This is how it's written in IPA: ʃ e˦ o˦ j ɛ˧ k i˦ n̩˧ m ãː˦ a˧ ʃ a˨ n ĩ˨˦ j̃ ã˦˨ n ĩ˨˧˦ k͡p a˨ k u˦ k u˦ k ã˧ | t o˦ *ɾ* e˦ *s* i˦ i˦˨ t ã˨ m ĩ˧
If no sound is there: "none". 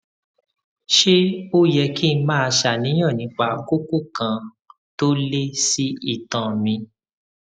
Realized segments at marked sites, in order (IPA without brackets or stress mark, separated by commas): l, s